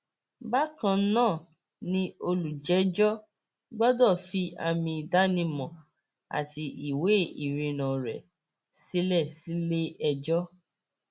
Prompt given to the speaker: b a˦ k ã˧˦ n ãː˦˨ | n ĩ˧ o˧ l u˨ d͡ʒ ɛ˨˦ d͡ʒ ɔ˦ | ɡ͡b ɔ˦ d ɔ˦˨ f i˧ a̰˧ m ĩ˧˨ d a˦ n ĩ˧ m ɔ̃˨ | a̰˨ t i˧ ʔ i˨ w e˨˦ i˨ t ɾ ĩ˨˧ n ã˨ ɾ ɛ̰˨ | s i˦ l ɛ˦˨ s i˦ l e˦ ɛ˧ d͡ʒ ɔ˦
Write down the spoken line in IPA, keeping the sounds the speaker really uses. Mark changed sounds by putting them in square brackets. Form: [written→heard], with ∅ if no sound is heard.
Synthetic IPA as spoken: b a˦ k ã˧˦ n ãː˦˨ | n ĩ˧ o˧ l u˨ d͡ʒ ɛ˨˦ d͡ʒ ɔ˦ | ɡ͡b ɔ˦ d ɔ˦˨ f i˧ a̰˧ m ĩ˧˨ d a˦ n ĩ˧ m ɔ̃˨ | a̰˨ t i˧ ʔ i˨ w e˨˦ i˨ [t→∅] ɾ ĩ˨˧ n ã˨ ɾ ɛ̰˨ | s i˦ l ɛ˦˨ s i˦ l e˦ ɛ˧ d͡ʒ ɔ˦

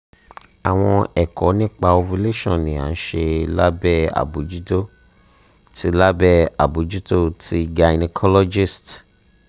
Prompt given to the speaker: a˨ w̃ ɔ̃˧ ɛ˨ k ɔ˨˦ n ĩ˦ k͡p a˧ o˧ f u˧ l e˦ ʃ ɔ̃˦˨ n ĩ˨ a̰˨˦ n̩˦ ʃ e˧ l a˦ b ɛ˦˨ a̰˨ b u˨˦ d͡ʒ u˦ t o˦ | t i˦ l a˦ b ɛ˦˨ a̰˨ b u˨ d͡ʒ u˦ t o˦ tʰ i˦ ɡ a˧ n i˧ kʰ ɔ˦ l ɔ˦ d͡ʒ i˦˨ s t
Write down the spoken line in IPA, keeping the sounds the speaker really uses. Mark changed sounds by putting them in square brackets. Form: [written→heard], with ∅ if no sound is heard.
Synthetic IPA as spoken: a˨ w̃ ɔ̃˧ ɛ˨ k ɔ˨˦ n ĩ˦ k͡p a˧ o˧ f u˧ l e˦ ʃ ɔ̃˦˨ n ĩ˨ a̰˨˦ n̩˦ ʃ e˧ l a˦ b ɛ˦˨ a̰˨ b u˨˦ d͡ʒ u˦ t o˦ | t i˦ l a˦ b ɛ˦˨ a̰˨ b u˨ d͡ʒ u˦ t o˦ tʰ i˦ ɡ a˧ n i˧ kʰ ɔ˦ l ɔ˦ d͡ʒ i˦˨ s t

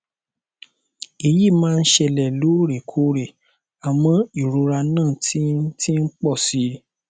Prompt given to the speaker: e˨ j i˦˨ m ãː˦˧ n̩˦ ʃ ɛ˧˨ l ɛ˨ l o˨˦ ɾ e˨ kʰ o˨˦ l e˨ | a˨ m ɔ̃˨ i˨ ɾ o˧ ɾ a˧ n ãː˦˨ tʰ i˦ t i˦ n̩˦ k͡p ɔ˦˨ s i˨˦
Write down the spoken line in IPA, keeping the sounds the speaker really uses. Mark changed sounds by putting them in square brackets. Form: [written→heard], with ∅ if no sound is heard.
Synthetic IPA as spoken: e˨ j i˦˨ m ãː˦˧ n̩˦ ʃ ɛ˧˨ l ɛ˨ l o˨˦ ɾ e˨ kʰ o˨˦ [l→ɾ] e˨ | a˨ m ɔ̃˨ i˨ ɾ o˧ ɾ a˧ n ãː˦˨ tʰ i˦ t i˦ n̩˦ k͡p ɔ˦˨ s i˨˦

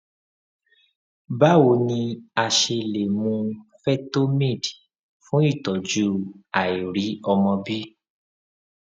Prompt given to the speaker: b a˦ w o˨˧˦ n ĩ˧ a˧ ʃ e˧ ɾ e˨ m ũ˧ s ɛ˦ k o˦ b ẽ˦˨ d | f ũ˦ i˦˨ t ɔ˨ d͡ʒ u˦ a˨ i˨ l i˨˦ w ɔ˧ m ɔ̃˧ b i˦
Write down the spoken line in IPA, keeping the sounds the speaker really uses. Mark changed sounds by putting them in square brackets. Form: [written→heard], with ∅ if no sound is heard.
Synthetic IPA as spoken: b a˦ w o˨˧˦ n ĩ˧ a˧ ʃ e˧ [ɾ→l] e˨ m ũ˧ [s→f] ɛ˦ [k→t] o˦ [b→m] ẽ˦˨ d | f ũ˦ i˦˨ t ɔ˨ d͡ʒ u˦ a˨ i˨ [l→ɾ] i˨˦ [w→∅] ɔ˧ m ɔ̃˧ b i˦

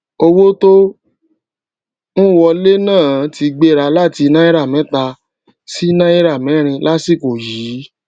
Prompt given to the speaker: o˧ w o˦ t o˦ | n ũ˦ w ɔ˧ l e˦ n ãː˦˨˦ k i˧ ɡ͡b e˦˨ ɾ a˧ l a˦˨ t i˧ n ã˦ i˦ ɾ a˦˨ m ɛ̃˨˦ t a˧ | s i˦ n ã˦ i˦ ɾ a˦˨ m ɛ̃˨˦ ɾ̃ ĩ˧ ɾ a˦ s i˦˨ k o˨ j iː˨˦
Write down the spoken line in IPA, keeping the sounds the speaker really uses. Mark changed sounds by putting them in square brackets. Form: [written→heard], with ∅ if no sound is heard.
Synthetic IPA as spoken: o˧ w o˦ t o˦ | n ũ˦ w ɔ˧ l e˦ n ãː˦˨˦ [k→t] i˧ ɡ͡b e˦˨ ɾ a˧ l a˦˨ t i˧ n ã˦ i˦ ɾ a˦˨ m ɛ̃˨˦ t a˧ | s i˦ n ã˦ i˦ ɾ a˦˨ m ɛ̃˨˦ ɾ̃ ĩ˧ [ɾ→l] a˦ s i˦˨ k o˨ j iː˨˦

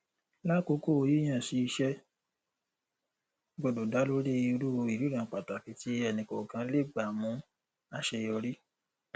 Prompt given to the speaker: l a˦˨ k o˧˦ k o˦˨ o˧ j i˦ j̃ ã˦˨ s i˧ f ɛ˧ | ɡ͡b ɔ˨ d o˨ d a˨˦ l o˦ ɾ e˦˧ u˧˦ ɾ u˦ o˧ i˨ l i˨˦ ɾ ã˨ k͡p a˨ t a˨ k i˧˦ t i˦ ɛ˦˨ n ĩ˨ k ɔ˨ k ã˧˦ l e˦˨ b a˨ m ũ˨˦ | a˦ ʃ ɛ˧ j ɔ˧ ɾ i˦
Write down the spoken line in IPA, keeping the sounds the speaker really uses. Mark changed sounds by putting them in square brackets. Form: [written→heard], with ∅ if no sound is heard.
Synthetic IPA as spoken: l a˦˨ k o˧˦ k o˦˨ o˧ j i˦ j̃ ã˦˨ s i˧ [f→ʃ] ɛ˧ | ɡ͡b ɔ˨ d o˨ d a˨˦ l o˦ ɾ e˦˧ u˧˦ ɾ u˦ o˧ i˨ [l→ɾ] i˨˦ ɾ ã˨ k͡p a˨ t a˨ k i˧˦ t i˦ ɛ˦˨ n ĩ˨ k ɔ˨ k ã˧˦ l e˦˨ [b→ɡ͡b] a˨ m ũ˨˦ | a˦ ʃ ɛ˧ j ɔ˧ ɾ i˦

